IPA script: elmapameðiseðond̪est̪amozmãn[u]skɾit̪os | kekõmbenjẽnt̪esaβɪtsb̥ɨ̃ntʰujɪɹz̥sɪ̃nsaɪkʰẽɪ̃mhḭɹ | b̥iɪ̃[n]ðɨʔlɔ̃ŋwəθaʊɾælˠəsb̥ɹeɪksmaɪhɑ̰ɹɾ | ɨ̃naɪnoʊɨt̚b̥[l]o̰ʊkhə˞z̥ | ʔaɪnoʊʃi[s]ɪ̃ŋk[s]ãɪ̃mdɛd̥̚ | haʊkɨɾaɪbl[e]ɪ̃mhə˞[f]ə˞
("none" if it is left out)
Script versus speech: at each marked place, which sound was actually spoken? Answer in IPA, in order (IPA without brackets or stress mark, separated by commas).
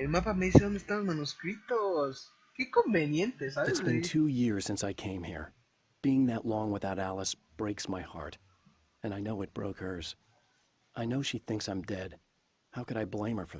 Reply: u, ŋ, ɹ, θ, s, ẽ, f